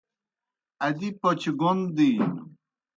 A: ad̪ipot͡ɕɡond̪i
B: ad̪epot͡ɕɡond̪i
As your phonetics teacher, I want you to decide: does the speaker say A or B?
A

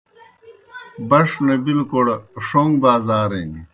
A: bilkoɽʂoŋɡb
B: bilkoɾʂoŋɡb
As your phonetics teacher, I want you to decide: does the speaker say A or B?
A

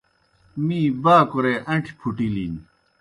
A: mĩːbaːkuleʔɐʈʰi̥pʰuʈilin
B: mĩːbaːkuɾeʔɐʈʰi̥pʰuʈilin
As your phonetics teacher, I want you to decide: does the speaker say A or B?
B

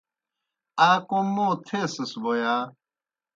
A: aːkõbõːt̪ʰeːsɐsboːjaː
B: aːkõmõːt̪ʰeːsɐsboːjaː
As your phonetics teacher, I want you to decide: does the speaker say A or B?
B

